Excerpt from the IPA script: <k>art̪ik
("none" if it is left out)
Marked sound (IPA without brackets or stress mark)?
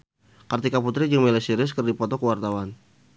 k